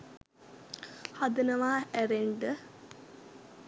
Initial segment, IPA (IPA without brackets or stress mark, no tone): h